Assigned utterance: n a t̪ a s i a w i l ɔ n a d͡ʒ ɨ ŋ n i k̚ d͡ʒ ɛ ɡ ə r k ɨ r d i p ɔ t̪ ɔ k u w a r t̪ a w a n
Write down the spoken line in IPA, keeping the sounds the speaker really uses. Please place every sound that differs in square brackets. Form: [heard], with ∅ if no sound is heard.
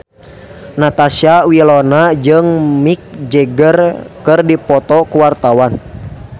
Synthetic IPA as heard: n a t̪ a s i a w i l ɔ n a d͡ʒ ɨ ŋ [m] i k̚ d͡ʒ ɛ ɡ ə r k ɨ r d i p ɔ t̪ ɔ k u w a r t̪ a w a n